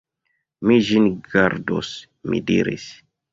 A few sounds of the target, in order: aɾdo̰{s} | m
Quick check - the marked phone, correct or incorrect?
correct